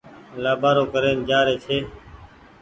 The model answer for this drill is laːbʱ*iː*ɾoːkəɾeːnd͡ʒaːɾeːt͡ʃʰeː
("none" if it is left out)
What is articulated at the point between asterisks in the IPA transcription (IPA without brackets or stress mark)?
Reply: aː